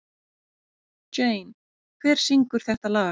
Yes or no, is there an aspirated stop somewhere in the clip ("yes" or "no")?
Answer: yes